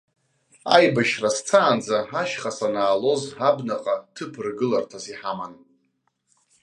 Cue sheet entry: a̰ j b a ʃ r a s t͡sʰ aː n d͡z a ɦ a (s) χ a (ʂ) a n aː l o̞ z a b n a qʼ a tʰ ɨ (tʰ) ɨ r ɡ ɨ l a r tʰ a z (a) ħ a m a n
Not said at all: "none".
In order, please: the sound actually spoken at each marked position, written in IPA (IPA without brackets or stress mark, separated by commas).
ʃ, s, pʰ, i